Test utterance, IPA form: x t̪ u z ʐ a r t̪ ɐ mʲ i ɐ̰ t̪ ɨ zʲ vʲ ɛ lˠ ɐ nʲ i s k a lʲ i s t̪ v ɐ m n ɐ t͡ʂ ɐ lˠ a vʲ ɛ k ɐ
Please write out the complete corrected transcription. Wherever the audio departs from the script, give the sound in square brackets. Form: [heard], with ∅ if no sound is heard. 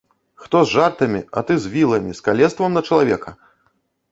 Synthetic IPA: x t̪ [ɔ] z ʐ a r t̪ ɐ mʲ i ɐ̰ t̪ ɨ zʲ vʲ [i] lˠ ɐ [mʲ] i s k a lʲ [ɛ] s t̪ v ɐ m n ɐ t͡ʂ ɐ lˠ a vʲ ɛ k ɐ